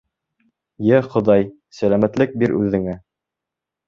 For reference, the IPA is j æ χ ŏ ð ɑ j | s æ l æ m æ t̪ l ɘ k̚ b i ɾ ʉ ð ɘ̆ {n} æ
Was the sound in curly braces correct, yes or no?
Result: no